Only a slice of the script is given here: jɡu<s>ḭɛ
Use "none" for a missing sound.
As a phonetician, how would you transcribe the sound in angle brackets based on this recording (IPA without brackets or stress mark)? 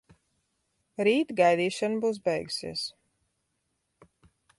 s